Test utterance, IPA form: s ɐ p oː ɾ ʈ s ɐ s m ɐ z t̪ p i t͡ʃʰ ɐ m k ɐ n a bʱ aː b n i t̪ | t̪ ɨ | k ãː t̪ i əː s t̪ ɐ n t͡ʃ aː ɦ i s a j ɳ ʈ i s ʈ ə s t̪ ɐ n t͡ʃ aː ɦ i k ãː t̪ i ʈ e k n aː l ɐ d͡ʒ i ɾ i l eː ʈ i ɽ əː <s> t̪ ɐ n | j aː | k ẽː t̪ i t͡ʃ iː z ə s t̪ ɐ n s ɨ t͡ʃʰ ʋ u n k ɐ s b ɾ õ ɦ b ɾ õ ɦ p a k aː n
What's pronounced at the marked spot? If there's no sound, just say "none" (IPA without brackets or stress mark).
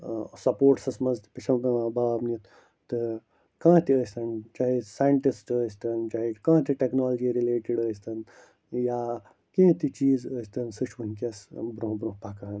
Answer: s